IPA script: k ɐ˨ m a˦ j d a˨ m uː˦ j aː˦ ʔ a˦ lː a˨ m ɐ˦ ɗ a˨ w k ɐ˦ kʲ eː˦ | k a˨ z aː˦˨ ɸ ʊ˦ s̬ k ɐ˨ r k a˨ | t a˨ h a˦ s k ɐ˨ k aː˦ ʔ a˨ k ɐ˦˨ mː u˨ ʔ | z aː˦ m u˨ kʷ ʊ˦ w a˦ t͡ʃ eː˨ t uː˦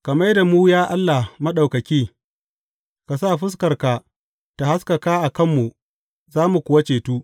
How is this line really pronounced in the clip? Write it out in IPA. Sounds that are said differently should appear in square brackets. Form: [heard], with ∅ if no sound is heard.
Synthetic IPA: k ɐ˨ m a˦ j d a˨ m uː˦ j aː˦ ʔ a˦ lː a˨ m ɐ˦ ɗ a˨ w k [ɐ˨] kʲ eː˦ | k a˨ [s] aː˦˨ ɸ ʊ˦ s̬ k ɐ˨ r k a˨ | t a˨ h a˦ s k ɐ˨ k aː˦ ʔ a˨ k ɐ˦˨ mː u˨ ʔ | z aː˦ m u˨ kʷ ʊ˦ w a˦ t͡ʃ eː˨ t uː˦